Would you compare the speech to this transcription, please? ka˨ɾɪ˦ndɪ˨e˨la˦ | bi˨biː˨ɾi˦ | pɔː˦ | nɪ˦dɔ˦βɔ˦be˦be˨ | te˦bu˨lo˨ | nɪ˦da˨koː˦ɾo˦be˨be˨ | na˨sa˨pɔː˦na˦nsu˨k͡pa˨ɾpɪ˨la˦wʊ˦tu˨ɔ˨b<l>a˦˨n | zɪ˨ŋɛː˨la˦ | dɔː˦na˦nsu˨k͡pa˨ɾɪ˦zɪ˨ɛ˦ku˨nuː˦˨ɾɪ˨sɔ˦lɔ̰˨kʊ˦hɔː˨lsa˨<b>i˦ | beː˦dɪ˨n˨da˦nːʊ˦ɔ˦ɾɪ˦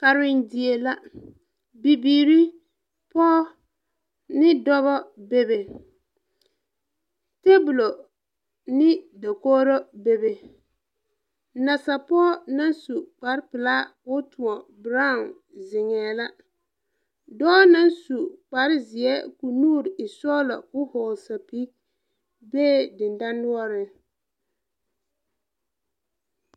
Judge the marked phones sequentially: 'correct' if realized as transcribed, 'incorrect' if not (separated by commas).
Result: incorrect, incorrect